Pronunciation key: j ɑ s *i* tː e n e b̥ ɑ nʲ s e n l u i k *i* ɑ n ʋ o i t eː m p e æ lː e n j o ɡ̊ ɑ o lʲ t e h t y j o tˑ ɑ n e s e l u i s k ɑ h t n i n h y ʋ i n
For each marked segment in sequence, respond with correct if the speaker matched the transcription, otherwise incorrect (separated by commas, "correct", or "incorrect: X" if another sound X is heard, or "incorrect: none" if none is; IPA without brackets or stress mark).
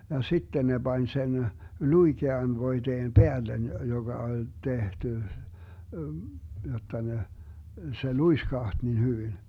correct, incorrect: e